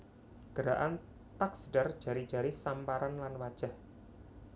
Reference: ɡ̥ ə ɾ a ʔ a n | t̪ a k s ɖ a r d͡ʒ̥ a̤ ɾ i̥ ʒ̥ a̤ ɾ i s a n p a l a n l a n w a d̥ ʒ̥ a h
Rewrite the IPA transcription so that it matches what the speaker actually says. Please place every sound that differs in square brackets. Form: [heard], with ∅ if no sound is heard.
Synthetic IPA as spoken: ɡ̥ ə ɾ a ʔ a n | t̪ a k s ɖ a r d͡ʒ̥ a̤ ɾ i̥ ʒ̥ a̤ ɾ i s a [m] p a [ɾ] a n l a n w a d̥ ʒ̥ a h